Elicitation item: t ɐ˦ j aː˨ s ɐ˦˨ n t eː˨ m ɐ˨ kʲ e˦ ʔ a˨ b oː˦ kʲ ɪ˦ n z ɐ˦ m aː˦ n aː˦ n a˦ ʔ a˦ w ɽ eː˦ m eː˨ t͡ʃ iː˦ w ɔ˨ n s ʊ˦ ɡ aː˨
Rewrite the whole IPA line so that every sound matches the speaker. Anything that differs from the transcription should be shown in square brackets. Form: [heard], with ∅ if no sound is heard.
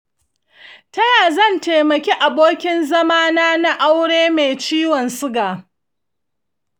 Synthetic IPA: t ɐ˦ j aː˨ [z] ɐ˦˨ n t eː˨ m ɐ˨ kʲ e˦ ʔ a˨ b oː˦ kʲ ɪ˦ n z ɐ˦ m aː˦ n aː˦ n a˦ ʔ a˦ w ɽ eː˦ m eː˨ t͡ʃ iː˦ w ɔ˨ n s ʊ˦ ɡ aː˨